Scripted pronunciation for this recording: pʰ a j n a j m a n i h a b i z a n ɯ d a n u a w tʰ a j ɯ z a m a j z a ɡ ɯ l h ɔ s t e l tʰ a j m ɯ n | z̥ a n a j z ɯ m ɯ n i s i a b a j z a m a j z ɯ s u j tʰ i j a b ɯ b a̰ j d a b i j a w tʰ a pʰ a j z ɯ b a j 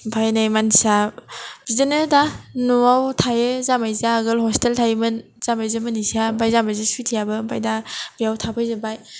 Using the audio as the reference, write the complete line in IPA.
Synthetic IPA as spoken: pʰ a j n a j m a n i s a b i z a n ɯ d a n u a w tʰ a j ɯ z a m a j z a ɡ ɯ l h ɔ s t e l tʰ a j m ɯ n | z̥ a m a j z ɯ m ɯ n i s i a b a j z a m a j z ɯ s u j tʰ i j a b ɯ b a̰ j d a b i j a w tʰ a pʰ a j z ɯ b a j